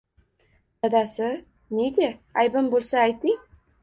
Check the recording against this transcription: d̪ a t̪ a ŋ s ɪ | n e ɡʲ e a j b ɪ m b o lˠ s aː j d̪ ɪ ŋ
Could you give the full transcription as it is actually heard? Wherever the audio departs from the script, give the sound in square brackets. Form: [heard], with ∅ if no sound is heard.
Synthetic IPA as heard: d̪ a [d̪] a [∅] s ɪ | n e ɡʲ e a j b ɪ m b o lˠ s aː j [t̪] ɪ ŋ